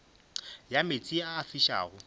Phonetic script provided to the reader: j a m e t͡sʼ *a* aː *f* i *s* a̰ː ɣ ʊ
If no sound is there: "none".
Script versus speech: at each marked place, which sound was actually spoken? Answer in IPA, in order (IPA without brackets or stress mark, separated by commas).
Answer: i, f, ʃ